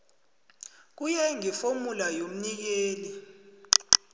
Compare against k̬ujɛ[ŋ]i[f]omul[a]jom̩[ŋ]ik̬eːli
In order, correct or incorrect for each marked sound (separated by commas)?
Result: correct, correct, correct, incorrect